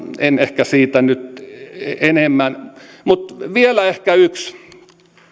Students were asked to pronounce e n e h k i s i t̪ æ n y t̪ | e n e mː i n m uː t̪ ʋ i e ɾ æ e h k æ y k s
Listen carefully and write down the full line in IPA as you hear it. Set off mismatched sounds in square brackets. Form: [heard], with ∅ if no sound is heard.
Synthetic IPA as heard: e n e h k [æ] s [iː] t̪ æ n y t̪ | e n e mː [æ] n m [u] t̪ ʋ i e [l] æ e h k æ y k s

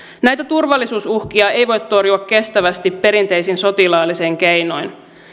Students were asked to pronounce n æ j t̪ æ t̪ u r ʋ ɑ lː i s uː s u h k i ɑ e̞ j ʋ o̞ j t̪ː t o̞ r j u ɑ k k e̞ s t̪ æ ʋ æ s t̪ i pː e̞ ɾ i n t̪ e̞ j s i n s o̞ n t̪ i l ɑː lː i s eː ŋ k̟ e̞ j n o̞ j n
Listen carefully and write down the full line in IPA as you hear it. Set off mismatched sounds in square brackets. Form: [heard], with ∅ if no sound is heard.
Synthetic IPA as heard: n æ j t̪ æ t̪ u r ʋ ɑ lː i s uː s u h k i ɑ e̞ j ʋ o̞ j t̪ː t o̞ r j u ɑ k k e̞ s t̪ æ ʋ æ s t̪ i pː e̞ ɾ i n t̪ e̞ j s i n s o̞ [∅] t̪ i l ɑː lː i s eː ŋ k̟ e̞ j n o̞ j n

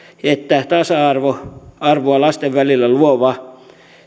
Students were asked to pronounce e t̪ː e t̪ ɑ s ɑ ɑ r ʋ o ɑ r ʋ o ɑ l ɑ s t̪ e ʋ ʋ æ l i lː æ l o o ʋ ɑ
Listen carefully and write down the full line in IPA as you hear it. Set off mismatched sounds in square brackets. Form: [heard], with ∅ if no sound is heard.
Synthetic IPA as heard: e t̪ː [æ] t̪ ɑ s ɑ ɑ r ʋ o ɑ r ʋ o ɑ l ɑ s t̪ e ʋ ʋ æ l i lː æ l [u] o ʋ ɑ

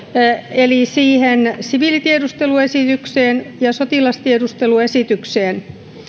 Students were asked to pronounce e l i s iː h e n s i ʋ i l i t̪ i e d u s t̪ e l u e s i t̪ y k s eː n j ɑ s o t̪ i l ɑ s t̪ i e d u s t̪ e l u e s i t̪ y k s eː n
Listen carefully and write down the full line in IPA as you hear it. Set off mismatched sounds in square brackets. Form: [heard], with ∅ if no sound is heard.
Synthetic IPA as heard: e l i s iː h e n s i ʋ i l i t̪ i e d u s t̪ e l u e s i t̪ y k s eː n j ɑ s o t̪ i l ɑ s t̪ i e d u s t̪ e l u e s i t̪ y k s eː n

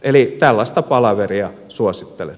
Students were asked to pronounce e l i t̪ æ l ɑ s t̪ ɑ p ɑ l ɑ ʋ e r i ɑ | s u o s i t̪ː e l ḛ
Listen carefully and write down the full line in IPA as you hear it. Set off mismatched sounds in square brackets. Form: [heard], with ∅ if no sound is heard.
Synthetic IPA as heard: e l i t̪ æ [lː] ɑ s t̪ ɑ p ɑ l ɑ ʋ e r i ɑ | s u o s i t̪ː e l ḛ

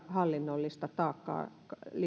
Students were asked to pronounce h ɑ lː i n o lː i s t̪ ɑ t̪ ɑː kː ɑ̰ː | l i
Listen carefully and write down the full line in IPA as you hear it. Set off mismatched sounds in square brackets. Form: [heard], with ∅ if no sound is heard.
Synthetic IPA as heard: h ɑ lː i [nː] o lː i s t̪ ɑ t̪ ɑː kː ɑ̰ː | l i

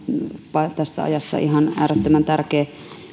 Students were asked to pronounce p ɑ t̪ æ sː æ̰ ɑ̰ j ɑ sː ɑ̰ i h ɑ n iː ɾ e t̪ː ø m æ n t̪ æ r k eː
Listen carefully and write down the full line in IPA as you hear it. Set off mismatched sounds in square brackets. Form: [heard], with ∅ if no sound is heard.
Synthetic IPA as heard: p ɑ t̪ æ sː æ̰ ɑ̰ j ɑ sː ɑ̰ i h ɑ n [æː] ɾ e t̪ː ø m æ n t̪ æ r k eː

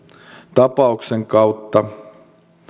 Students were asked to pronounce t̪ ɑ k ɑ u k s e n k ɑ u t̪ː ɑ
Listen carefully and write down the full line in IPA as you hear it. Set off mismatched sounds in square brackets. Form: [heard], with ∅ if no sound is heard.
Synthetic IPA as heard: t̪ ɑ [p] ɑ u k s e [ŋ] k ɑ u t̪ː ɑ

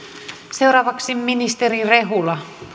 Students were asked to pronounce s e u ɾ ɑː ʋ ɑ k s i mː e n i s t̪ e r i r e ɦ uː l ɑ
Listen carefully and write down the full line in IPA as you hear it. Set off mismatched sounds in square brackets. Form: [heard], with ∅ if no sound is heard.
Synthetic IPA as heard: s e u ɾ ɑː ʋ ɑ k s i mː [i] n i s t̪ e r i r e ɦ [u] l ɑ

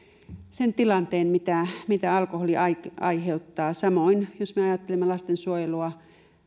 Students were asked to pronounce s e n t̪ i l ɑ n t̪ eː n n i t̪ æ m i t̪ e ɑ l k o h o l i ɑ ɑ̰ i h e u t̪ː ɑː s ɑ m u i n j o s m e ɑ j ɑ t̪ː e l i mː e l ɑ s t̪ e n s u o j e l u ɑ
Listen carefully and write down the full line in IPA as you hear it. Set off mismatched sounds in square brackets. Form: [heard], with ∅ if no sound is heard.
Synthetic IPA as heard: s e n t̪ i l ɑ n t̪ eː n [m] i t̪ æ m i t̪ [æ] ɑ l k o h o l i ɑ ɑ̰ i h e u t̪ː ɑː s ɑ m [o] i n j o s m e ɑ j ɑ t̪ː e l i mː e l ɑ s t̪ e n s u o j e l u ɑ

